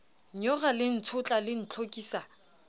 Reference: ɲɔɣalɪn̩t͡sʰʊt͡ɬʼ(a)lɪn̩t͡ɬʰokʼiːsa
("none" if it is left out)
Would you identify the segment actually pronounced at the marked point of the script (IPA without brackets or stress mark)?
a